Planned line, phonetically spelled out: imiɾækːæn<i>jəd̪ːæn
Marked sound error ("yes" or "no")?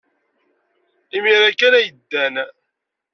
yes